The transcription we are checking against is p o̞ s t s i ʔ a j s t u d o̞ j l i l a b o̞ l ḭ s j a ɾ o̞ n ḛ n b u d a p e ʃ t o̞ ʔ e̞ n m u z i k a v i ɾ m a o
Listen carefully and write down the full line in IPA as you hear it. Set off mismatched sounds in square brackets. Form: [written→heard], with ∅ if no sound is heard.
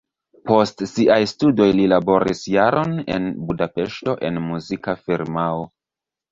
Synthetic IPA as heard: p o̞ s t s i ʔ a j s t u d o̞ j l i l a b o̞ [l→ɾ] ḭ s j a ɾ o̞ n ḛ n b u d a p e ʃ t o̞ ʔ e̞ n m u z i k a [v→f] i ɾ m a o